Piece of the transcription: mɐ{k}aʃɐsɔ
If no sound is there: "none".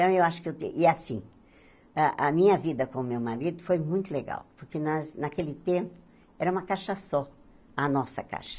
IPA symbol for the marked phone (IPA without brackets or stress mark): k